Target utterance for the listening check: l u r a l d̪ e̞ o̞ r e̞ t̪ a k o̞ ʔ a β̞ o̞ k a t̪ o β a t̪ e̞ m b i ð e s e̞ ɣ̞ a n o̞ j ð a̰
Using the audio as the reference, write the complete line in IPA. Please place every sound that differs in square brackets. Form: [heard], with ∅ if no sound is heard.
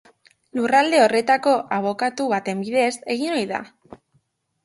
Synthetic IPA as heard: l u r a l d̪ e̞ o̞ r e̞ t̪ a k o̞ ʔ a β̞ o̞ k a t̪ [u] β a t̪ e̞ m b i ð e s e̞ ɣ̞ [i] n o̞ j ð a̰